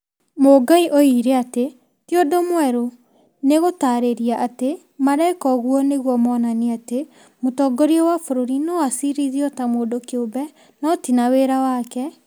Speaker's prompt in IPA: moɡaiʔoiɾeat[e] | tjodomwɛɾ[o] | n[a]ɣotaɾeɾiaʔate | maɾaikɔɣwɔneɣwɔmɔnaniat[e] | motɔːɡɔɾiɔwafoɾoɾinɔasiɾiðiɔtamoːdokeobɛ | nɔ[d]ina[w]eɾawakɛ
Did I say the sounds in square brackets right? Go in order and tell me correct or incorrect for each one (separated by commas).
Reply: correct, correct, incorrect, correct, incorrect, correct